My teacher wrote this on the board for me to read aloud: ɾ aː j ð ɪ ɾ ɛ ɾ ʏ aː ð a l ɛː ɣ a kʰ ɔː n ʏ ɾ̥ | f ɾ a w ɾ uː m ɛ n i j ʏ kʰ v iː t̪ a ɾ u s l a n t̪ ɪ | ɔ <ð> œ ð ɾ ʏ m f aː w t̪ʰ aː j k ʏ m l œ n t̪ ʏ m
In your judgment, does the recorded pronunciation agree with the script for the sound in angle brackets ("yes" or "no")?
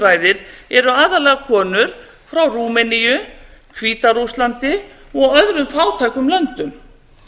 no